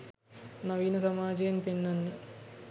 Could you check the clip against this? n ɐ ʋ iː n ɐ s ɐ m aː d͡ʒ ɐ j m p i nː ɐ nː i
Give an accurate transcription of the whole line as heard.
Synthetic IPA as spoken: n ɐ ʋ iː n ɐ s ɐ m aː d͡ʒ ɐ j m p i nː ɐ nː i